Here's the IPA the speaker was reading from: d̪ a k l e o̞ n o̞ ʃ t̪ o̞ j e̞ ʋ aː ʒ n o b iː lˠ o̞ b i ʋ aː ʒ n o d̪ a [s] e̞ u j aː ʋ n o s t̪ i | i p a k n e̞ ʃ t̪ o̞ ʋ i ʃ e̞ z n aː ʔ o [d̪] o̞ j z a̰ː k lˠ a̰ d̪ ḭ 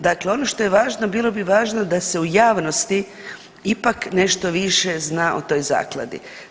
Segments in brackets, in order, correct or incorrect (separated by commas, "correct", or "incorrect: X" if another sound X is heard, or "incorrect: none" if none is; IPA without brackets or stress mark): correct, incorrect: t̪